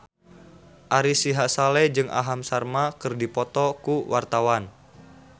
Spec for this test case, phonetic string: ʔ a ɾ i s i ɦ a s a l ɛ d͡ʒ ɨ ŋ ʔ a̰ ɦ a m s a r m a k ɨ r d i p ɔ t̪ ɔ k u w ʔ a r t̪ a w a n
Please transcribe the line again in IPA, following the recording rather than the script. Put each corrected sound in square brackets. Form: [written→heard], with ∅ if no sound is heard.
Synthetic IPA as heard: ʔ a ɾ i s i ɦ a s a l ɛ d͡ʒ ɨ ŋ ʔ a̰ ɦ a m s a r m a k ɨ r d i p ɔ t̪ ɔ k u w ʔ a r t̪ a w a n